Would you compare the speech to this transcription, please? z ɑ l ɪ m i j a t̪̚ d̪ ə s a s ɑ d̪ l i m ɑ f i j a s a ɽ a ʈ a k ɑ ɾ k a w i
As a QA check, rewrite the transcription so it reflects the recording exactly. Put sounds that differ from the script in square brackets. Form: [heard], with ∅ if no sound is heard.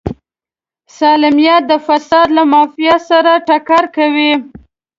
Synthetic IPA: [s] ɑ l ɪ m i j a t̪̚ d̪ ə [f] a s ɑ d̪ l [a] m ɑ f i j a s a [ɾ] a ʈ a k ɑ ɾ k a w i